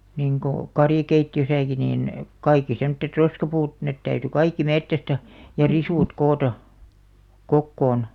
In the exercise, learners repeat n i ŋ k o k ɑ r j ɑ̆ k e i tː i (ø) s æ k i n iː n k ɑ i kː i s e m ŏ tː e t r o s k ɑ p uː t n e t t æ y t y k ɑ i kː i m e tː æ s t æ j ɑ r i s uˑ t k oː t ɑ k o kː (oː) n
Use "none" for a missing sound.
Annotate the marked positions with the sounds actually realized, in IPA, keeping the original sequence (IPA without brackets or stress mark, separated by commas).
ø, oː